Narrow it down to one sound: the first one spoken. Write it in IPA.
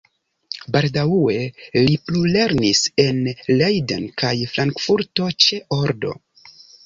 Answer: b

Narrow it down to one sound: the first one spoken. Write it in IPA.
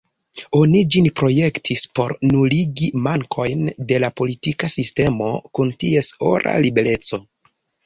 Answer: o̞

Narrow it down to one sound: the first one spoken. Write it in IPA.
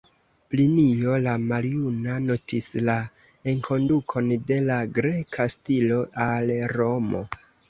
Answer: p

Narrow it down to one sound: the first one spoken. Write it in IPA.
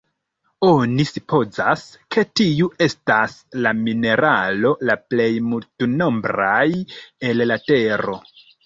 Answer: o̞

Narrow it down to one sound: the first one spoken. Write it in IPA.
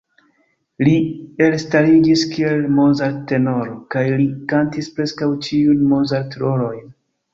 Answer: l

